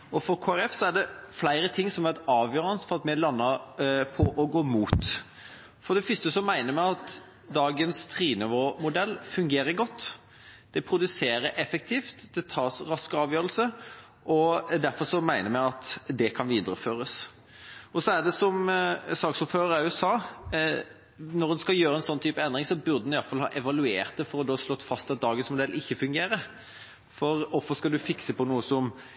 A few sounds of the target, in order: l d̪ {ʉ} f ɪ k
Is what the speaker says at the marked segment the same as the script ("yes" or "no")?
yes